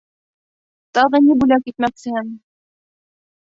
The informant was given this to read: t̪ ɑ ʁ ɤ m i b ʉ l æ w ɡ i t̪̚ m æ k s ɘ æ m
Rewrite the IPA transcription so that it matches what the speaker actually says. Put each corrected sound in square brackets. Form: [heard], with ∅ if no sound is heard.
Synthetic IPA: t̪ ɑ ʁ ɤ [n] i b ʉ l æ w [k] i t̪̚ m æ k s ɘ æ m

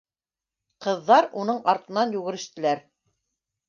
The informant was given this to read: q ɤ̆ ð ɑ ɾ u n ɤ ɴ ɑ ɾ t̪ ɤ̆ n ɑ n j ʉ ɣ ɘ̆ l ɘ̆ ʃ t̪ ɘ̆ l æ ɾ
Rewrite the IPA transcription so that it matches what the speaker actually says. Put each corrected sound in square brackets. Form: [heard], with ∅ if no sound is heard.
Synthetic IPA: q ɤ̆ [ðː] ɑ ɾ u n ɤ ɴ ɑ ɾ t̪ ɤ̆ n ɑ n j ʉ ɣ ɘ̆ [ɾ] ɘ̆ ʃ t̪ ɘ̆ l æ ɾ

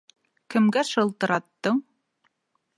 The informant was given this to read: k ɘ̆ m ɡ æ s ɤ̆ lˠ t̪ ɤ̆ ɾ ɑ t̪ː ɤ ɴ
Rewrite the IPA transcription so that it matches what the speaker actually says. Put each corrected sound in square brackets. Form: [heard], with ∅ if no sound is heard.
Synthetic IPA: k ɘ̆ m ɡ æ [ʃ] ɤ̆ lˠ t̪ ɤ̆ ɾ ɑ t̪ː ɤ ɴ

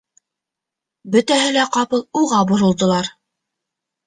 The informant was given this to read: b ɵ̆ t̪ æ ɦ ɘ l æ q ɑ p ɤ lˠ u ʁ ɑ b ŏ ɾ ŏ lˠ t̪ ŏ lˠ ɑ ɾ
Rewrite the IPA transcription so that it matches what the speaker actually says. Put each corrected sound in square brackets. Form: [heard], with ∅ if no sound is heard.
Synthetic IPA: b ɵ̆ t̪ æ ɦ ɘ l æ q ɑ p ɤ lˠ u ʁ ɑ b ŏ ɾ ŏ lˠ [d̪] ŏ lˠ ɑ ɾ

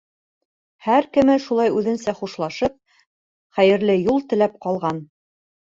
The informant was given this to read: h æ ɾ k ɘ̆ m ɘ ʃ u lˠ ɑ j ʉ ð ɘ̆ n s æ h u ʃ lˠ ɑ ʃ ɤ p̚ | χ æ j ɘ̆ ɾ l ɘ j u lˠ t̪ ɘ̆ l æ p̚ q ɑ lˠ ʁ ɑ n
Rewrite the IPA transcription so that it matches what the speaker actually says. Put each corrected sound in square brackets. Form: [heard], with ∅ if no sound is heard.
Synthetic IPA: h æ ɾ k ɘ̆ m ɘ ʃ u lˠ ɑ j ʉ ð ɘ̆ n s æ [χ] u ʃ lˠ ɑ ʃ ɤ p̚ | χ æ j ɘ̆ ɾ l ɘ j u lˠ t̪ ɘ̆ l æ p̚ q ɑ lˠ ʁ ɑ n

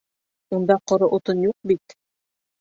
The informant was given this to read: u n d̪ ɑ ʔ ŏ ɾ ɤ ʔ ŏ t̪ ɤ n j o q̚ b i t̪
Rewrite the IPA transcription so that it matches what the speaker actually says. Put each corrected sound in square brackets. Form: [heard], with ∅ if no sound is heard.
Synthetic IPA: u n d̪ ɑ [q] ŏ ɾ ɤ ʔ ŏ t̪ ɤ n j [u] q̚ b i t̪

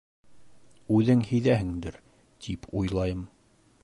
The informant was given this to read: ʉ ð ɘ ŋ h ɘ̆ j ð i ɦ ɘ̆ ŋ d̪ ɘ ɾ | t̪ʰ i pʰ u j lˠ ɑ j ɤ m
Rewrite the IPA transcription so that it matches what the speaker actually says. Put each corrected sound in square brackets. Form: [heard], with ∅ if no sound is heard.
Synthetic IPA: ʉ ð ɘ ŋ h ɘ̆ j ð [æ] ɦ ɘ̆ ŋ d̪ ɘ ɾ | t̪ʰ i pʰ u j lˠ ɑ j ɤ m

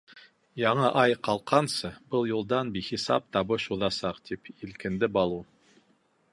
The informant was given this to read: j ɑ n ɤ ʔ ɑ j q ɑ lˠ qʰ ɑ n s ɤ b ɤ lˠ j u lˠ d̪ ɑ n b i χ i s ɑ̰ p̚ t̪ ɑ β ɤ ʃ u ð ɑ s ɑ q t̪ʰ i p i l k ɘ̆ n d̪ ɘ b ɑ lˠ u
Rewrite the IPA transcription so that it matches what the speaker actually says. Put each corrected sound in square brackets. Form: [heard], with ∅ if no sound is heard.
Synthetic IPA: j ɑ [ɴ] ɤ ʔ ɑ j q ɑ lˠ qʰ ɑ n s ɤ b ɤ lˠ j u lˠ d̪ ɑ n b i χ i s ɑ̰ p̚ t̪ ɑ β ɤ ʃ u ð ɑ s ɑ q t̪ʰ i p i l k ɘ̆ n d̪ ɘ b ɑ lˠ u

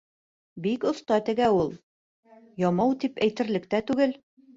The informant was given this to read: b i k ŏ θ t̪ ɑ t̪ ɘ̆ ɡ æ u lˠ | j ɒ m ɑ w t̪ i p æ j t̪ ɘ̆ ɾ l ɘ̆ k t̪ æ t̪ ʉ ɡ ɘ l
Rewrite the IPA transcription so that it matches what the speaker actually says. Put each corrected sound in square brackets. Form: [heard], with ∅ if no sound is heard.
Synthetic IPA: b i k ŏ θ t̪ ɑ t̪ ɘ̆ ɡ æ u lˠ | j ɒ m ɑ w t̪ i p æ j t̪ ɘ̆ ɾ l ɘ̆ k t̪ æ t̪ ʉ ɡ ɘ l

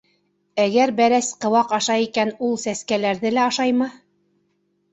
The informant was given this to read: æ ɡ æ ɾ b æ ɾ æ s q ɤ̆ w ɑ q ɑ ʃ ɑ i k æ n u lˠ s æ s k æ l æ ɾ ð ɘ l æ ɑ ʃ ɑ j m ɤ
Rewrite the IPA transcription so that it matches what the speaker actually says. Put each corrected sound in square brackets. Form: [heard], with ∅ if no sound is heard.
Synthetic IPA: æ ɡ æ ɾ b æ ɾ æ s q ɤ̆ w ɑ q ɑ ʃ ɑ i k æ n u lˠ s æ s k æ l æ ɾ ð ɘ l æ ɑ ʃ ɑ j m ɤ

